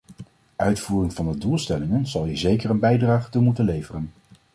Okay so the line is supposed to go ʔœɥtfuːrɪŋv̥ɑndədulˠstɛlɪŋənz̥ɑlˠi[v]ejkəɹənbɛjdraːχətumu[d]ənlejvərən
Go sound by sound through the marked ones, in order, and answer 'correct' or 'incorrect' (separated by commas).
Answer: incorrect, incorrect